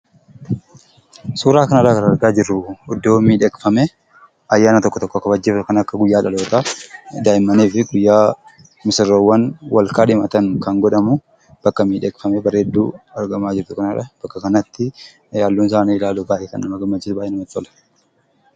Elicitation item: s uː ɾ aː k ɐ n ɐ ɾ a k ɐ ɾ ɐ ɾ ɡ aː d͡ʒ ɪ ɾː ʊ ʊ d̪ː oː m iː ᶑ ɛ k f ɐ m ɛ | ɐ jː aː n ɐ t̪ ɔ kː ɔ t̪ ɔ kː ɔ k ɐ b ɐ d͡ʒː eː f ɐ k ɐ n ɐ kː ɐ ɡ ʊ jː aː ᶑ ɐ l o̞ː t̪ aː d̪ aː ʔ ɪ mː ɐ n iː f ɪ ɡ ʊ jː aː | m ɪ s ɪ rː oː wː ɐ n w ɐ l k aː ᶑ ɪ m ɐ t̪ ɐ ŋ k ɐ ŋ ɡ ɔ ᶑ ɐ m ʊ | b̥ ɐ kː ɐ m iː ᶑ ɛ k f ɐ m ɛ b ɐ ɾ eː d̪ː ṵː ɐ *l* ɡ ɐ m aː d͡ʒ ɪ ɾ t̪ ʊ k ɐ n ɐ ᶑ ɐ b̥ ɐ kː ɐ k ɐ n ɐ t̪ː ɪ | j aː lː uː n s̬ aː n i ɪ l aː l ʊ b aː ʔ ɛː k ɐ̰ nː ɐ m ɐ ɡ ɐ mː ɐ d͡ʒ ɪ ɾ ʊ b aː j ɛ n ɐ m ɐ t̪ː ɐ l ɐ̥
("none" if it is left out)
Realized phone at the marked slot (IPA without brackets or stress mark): ɾ